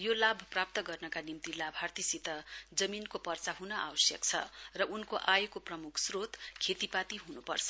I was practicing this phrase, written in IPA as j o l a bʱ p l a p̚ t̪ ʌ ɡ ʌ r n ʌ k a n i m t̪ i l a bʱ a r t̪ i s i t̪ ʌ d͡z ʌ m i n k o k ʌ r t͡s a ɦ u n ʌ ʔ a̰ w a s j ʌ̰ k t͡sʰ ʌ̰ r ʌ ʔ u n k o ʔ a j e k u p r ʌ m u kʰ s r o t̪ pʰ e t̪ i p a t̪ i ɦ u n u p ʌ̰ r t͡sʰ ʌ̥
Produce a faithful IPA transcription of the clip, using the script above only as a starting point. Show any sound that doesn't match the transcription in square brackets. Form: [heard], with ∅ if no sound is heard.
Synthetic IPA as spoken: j o l a bʱ p [r] a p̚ t̪ ʌ ɡ ʌ r n ʌ k a n i m t̪ i l a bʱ a r t̪ i s i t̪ ʌ d͡z ʌ m i n k o [p] ʌ r t͡s a ɦ u n ʌ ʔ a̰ w [ʌ] s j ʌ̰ k t͡sʰ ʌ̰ r ʌ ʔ u n k o ʔ a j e k [o] p r ʌ m u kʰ s r o t̪ [kʰ] e t̪ i p a t̪ i ɦ u n u p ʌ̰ r t͡sʰ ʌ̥